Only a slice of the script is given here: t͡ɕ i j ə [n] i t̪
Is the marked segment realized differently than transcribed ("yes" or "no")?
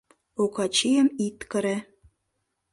yes